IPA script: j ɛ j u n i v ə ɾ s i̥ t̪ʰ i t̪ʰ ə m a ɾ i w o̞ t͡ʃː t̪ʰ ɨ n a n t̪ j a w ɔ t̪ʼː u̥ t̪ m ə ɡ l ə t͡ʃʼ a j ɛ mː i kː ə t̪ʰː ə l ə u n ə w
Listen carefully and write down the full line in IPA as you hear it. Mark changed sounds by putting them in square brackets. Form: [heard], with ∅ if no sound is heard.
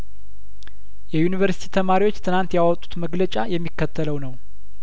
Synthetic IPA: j ɛ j u n i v ə ɾ s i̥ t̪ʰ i t̪ʰ ə m a ɾ i w o̞ t͡ʃː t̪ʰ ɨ n a n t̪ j a w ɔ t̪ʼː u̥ t̪ m ə ɡ l ə t͡ʃʼ a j ɛ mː i kː ə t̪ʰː ə l ə [w] n ə w

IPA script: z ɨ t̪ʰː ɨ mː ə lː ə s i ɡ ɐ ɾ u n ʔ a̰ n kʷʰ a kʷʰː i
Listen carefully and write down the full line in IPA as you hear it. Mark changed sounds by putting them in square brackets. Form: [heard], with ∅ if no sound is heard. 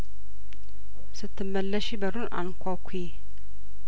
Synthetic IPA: [s] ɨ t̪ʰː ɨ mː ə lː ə [ʃ] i [b] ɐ ɾ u n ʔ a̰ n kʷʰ a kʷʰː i

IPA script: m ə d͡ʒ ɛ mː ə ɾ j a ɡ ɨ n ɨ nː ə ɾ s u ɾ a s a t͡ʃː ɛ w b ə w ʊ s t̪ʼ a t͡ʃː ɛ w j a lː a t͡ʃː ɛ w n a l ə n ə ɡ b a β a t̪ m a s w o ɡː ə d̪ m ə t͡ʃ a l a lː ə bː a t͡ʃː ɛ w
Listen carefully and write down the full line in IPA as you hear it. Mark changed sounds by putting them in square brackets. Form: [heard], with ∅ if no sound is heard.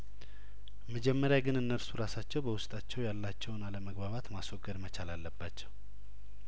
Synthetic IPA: m ə d͡ʒ ɛ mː ə ɾ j a ɡ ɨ n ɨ nː ə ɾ s u ɾ a s a t͡ʃː ɛ w b ə w ʊ s t̪ʼ a t͡ʃː ɛ w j a lː a t͡ʃː ɛ w n a l ə [m] ə ɡ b a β a t̪ m a s w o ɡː ə d̪ m ə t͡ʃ a l a lː ə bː a t͡ʃː ɛ w

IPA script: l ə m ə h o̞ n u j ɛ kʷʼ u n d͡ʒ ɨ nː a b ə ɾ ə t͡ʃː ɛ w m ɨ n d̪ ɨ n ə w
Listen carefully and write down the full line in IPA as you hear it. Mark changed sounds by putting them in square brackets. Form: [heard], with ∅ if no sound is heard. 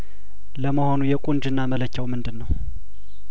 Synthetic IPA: l ə m ə h o̞ n u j ɛ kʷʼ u n d͡ʒ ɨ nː a [m] ə [l] ə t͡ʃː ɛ w m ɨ n d̪ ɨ [nː] ə w

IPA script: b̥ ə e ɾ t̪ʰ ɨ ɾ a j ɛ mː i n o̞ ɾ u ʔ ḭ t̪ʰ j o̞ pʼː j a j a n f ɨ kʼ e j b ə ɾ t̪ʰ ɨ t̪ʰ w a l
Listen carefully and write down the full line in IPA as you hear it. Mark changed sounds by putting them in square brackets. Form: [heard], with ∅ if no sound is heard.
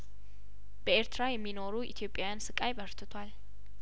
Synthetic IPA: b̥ ə e ɾ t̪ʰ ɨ ɾ a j ɛ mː i n o̞ ɾ u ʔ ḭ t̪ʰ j o̞ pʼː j a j a n [s] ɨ kʼ [a] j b ə ɾ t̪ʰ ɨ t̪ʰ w a l

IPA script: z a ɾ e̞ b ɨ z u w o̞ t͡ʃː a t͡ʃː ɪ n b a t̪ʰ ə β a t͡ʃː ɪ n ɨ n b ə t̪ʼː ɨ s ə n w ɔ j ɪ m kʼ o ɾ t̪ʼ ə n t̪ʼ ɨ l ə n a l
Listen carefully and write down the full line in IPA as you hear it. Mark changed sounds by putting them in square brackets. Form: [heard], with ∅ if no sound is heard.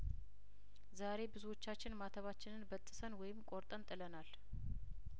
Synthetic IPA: z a ɾ e̞ b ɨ z u w o̞ t͡ʃː a t͡ʃː ɪ n [m] a t̪ʰ ə β a t͡ʃː ɪ n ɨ n b ə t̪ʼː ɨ s ə n w ɔ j ɪ m kʼ o ɾ t̪ʼ ə n t̪ʼ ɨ l ə n a l

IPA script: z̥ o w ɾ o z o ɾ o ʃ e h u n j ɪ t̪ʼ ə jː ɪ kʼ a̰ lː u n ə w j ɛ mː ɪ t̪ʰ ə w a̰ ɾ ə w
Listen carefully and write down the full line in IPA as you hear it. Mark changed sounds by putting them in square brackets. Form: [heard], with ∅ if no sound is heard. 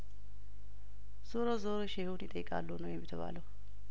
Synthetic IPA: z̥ o [∅] ɾ o z o ɾ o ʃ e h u n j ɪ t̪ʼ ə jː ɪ kʼ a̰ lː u n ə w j ɛ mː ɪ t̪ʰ ə [β] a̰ [l] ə w

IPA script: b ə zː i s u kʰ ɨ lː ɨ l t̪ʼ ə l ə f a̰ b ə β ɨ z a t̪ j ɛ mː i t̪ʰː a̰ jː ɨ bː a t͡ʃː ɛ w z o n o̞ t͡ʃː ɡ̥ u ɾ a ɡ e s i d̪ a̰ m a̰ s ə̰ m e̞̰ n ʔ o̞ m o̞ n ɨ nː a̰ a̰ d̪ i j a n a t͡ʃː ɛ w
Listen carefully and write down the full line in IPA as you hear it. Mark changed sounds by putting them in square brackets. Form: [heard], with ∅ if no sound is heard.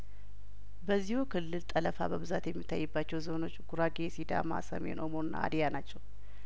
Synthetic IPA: b ə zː i [h] u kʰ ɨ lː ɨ l t̪ʼ ə l ə f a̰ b ə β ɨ z a t̪ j ɛ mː i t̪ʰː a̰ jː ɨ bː a t͡ʃː ɛ w z o n o̞ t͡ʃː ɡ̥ u ɾ a ɡ e s i d̪ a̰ m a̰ s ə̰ m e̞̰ n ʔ o̞ m o̞ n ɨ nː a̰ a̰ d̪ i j a n a t͡ʃː ɛ w

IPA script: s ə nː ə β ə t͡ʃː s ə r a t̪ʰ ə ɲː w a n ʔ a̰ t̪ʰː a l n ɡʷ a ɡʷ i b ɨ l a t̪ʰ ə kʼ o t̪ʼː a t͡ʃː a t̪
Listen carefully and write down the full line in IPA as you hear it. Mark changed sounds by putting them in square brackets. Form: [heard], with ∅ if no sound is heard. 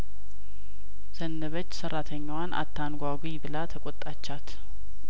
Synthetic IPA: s ə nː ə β ə t͡ʃː s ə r a t̪ʰ ə ɲː w a n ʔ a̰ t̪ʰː a [∅] n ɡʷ a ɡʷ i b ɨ l a t̪ʰ ə kʼ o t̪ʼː a t͡ʃː a t̪

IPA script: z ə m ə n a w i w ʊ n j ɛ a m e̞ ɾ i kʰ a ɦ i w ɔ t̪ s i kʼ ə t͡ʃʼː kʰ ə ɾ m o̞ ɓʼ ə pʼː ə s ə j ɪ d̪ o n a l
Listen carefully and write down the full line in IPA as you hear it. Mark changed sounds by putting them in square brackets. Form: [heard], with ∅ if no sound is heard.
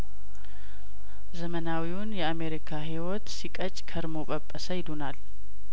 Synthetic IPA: z ə m ə n a w i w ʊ n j ɛ a m e̞ ɾ i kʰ a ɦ i w ɔ t̪ s i kʼ ə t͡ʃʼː kʰ ə ɾ m o̞ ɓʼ ə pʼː ə s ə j ɪ d̪ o n a l

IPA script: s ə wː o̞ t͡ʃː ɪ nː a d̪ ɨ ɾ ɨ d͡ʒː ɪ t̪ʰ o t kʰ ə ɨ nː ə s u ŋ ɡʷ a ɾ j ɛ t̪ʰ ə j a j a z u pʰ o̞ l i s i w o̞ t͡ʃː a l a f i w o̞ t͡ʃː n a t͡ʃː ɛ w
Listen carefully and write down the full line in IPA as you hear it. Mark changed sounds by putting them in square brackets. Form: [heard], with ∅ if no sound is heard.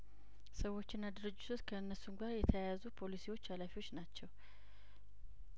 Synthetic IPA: s ə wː o̞ t͡ʃː ɪ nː a d̪ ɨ ɾ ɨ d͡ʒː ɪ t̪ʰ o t kʰ ə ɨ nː ə s u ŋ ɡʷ a ɾ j ɛ t̪ʰ ə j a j a z u pʰ o̞ l i s i w o̞ t͡ʃː a l a f i w o̞ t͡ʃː n a t͡ʃː ɛ w

